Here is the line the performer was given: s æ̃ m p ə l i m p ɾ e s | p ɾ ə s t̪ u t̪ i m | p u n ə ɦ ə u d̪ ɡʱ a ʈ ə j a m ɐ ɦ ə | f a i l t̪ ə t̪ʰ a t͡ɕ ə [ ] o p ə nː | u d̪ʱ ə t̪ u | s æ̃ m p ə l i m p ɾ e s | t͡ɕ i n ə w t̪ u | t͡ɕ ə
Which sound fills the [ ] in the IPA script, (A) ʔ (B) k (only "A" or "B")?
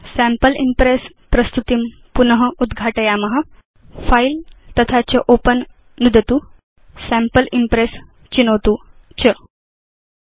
A